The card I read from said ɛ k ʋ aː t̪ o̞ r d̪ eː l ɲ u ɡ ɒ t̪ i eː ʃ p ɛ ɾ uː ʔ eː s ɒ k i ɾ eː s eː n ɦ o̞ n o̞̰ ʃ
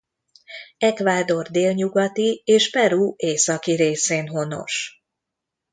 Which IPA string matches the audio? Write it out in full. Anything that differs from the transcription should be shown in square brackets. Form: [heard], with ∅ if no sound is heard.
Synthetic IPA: ɛ k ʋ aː [d̪] o̞ r d̪ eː l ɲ u ɡ ɒ t̪ i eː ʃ p ɛ ɾ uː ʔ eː s ɒ k i ɾ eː s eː n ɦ o̞ n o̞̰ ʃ